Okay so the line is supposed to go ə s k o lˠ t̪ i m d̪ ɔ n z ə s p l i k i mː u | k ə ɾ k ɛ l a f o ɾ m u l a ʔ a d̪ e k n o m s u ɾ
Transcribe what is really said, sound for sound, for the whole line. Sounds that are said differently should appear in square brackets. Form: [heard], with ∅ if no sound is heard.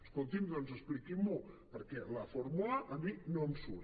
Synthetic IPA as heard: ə s k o lˠ t̪ i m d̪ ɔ n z ə s p l i k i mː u | [p] ə ɾ k ɛ l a f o ɾ m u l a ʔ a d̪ [i] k n o m s u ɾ